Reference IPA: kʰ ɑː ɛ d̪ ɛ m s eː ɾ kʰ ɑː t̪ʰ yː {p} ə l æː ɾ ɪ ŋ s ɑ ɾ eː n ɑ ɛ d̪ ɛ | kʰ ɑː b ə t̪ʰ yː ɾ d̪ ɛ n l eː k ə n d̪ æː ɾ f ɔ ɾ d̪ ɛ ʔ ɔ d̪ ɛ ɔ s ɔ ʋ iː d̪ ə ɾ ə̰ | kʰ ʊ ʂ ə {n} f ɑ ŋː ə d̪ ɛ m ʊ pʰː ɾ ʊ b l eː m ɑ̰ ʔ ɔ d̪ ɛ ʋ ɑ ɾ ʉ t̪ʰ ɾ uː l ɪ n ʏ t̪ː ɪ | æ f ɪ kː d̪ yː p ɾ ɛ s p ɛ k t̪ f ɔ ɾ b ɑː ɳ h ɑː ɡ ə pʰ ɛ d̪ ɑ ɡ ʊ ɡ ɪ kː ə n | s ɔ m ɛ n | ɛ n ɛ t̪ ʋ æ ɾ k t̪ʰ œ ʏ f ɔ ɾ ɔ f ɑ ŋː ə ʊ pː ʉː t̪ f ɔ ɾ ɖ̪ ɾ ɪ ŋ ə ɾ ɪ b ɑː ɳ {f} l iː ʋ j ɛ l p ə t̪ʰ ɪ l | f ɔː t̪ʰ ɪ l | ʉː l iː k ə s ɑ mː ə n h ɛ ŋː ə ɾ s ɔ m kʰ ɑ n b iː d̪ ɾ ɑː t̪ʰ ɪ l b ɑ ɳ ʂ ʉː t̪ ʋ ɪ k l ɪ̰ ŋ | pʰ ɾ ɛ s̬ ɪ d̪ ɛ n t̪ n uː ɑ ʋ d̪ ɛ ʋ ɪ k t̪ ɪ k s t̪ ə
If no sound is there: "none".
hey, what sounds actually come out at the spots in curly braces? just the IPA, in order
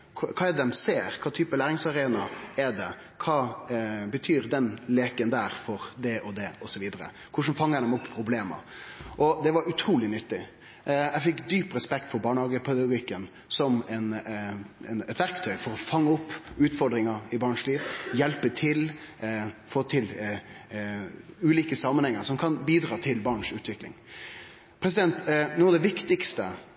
p, n, ʂ

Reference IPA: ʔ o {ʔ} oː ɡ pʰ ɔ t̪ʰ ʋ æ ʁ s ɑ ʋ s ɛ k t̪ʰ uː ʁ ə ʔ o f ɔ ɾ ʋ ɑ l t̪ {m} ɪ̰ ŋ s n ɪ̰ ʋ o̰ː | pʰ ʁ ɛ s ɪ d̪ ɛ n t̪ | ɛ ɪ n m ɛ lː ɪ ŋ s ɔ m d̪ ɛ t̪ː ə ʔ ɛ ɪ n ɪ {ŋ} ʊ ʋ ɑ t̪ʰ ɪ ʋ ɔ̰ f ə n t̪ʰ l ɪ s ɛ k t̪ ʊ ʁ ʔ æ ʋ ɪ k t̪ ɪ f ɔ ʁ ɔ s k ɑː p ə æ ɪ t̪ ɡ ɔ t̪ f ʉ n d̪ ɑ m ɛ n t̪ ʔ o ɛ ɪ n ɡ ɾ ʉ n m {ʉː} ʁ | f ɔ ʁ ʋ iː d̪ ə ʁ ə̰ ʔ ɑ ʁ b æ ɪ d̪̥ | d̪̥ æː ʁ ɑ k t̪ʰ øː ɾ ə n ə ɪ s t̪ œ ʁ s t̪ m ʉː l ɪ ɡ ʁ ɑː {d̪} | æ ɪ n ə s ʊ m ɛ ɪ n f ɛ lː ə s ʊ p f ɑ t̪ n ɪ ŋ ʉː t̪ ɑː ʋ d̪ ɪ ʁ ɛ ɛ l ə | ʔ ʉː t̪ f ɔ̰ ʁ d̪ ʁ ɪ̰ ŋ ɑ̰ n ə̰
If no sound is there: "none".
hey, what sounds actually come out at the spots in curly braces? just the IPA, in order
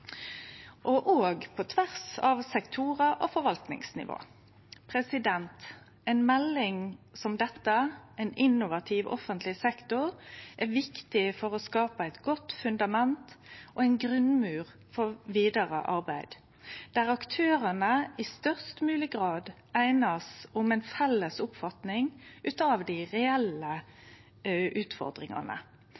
ʔ, n, n, ʉː, d̪

